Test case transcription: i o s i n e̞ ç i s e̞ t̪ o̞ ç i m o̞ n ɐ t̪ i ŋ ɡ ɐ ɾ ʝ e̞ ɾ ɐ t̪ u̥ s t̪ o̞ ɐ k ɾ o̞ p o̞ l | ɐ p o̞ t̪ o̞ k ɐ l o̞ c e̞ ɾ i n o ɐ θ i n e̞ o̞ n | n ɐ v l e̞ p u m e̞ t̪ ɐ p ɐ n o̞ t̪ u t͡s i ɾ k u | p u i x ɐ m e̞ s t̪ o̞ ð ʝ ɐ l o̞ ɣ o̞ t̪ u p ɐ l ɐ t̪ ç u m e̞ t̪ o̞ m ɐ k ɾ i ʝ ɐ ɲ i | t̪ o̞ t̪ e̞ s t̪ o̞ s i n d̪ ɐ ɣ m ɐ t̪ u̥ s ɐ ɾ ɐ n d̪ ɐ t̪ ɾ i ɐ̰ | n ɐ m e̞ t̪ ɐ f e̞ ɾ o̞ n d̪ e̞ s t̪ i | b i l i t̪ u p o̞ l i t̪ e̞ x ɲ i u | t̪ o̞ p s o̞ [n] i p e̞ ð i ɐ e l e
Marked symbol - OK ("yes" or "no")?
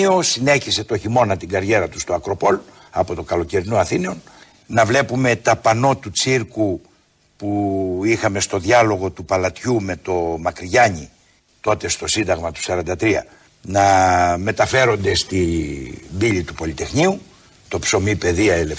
no